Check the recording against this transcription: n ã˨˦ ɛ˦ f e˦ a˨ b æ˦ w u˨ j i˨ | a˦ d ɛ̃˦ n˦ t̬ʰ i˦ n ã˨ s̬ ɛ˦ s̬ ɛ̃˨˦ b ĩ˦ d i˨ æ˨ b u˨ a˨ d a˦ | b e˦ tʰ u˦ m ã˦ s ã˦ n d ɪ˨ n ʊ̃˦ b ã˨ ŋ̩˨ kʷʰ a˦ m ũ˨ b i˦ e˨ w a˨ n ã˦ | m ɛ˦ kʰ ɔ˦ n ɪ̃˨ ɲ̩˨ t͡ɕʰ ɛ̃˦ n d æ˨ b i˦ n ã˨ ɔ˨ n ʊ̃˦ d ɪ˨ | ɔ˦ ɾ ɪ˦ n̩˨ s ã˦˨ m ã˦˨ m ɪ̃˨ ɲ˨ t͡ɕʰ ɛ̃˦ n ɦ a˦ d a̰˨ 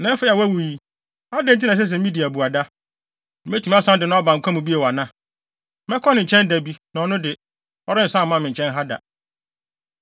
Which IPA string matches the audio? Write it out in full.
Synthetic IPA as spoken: n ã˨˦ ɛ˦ f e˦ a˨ w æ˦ w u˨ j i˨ | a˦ d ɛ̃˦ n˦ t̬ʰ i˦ n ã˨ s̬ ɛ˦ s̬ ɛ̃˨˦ m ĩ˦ d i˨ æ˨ b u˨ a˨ d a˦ | m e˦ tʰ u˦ m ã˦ s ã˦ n d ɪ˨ n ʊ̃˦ b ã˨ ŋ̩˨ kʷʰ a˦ m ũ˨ b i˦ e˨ w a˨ n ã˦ | m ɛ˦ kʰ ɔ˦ n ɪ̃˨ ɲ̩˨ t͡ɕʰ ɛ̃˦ n d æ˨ b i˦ n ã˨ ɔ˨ n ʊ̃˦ d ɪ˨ | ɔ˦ ɾ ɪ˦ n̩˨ s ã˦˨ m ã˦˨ m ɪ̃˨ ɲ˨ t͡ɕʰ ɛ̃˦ n ɦ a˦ d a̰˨

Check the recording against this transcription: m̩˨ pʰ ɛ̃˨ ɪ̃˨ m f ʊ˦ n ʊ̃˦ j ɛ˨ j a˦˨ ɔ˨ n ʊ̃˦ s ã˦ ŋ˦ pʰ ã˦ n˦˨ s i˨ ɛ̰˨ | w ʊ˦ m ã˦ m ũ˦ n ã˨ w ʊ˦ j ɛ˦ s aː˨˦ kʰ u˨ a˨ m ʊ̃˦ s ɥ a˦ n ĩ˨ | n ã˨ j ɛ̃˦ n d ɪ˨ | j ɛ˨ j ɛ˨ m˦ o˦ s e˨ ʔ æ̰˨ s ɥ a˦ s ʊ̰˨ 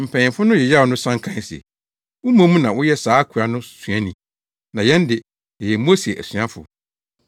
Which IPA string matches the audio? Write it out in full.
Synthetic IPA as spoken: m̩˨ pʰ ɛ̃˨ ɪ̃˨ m f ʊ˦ n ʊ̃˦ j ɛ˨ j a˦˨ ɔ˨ n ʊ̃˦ s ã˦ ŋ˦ kʰ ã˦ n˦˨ s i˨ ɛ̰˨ | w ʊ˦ m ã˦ m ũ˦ n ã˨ w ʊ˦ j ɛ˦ s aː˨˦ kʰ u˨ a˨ n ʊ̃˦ s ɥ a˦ n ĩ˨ | n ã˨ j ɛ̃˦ n d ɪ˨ | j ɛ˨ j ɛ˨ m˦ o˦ s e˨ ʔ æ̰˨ s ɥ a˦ f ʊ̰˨

